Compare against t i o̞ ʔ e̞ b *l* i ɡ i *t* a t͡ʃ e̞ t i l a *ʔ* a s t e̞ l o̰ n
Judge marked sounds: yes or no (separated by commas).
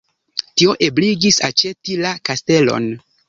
yes, no, no